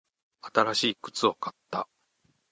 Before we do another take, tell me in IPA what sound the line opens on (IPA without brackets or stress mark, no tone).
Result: a